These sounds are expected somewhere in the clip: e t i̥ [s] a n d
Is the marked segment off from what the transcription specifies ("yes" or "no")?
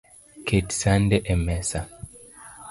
no